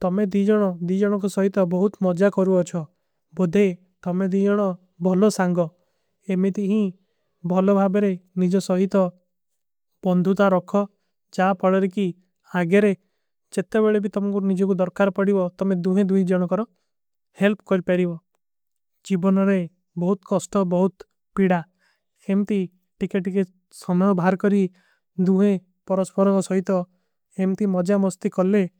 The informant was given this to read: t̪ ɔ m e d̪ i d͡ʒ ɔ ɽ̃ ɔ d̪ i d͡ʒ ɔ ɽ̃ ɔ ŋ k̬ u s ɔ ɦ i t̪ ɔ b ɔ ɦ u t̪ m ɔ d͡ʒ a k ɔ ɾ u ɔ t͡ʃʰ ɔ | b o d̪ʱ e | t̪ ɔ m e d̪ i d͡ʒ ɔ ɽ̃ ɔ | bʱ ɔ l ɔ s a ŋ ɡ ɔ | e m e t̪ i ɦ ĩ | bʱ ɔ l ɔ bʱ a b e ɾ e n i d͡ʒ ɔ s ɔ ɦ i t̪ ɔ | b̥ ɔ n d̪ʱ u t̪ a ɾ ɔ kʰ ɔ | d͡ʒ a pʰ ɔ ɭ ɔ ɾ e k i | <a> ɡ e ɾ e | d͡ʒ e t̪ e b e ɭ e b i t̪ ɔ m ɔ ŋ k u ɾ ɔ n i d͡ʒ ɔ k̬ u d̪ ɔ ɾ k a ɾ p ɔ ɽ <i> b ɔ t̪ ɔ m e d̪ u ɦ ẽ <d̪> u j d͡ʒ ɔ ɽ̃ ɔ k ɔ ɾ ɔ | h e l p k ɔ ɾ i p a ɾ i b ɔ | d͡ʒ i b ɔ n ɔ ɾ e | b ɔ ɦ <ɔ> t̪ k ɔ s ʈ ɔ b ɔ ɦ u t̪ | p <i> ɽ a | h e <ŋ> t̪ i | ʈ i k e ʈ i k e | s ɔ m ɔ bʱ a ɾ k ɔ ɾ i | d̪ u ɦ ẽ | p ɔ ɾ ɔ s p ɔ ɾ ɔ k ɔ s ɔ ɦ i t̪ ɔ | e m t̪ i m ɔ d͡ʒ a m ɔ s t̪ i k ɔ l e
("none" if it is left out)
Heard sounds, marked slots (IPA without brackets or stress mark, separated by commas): a, i, d̪, u, i, m